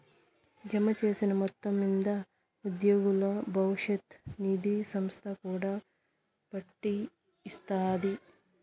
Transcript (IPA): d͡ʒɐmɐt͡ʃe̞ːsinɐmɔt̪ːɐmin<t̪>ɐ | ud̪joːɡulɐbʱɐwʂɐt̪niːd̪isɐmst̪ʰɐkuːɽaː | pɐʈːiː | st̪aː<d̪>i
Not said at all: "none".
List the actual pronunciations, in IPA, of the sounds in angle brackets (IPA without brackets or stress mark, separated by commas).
d̪, d̪